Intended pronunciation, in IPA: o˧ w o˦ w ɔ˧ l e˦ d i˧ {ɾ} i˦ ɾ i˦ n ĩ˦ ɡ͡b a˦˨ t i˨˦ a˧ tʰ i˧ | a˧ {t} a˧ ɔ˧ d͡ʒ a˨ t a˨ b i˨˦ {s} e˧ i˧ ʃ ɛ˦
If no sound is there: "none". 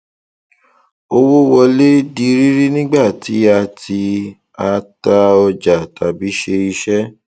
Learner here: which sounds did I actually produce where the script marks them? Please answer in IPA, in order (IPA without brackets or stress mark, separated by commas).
ɾ, t, ʃ